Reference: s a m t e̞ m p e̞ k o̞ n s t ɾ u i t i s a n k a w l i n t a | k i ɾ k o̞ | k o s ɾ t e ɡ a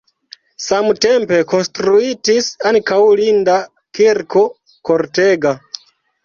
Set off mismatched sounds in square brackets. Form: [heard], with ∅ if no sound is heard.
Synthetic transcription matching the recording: s a m t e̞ m p e̞ k o̞ n s t ɾ u i t i s a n k a w l i n [d] a | k i ɾ k o̞ | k o [∅] ɾ t e ɡ a